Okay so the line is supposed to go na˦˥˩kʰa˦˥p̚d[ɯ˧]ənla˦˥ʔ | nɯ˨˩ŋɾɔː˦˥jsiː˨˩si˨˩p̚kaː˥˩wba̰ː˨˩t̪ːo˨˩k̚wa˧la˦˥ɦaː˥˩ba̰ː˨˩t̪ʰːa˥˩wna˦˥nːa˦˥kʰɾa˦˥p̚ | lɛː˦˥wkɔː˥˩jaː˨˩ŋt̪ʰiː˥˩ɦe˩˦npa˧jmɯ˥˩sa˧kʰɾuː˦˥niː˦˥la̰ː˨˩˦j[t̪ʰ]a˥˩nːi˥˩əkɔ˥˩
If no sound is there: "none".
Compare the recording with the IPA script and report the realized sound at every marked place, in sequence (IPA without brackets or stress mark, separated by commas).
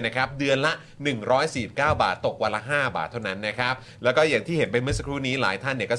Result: ɯ˧, t̪ʰ